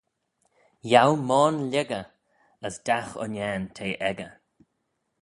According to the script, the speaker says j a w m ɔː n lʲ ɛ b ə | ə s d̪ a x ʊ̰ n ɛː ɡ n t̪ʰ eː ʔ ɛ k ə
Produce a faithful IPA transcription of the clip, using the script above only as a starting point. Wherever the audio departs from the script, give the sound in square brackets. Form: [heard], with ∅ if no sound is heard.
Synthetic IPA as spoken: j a w m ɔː n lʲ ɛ [ɡ] ə | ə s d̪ a x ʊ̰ n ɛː [∅] n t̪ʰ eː ʔ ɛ [ɡ] ə